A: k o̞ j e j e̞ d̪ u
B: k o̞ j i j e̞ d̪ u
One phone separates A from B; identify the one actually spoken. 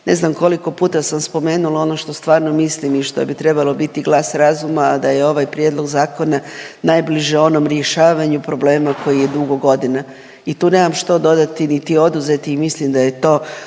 B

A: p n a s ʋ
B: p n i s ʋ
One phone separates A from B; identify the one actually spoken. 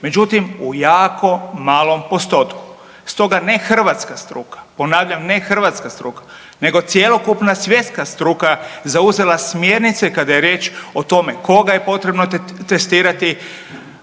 A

